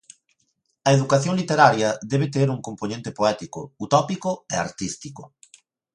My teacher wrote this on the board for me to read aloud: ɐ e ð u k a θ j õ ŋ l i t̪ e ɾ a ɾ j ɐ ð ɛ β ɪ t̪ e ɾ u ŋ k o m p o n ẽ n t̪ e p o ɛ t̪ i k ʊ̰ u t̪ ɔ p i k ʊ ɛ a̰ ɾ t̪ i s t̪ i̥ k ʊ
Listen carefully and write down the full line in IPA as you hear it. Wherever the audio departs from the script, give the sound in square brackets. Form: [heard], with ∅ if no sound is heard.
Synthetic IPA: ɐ e ð u k a θ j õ ŋ l i t̪ e ɾ a ɾ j ɐ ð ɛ β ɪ t̪ e ɾ u ŋ k o m p o n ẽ n t̪ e p o ɛ t̪ i k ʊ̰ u t̪ ɔ p i k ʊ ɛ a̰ ɾ t̪ i s t̪ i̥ k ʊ